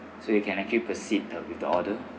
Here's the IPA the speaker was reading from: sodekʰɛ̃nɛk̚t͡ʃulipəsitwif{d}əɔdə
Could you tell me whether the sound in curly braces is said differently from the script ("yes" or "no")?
no